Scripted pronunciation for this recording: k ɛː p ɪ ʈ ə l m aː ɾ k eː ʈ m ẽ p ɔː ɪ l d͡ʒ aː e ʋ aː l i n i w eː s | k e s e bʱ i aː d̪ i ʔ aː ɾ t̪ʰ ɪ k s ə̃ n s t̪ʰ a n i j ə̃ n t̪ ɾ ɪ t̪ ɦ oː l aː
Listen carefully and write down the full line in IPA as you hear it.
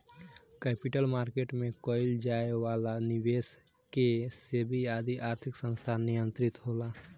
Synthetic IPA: k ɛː p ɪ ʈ ə l m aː ɾ k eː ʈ m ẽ k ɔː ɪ l d͡ʒ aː e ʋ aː l a n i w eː s | k e s e bʱ i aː d̪ i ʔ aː ɾ t̪ʰ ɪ k s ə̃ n s t̪ʰ a n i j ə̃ n t̪ ɾ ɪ t̪ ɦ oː l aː